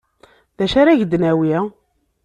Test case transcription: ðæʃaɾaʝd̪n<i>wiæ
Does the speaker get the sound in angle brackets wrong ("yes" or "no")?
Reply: yes